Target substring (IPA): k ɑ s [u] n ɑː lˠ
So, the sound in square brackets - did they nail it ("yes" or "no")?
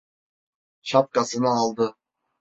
no